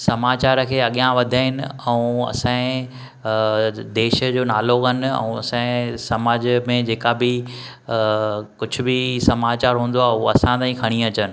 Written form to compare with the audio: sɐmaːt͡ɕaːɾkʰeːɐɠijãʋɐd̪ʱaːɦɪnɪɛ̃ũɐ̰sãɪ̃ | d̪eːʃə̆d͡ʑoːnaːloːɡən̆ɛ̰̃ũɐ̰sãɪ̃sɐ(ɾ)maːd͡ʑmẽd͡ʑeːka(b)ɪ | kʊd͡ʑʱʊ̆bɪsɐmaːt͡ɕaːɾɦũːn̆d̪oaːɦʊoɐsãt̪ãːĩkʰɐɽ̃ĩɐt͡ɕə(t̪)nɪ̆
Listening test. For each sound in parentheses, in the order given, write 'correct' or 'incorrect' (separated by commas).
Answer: incorrect, correct, incorrect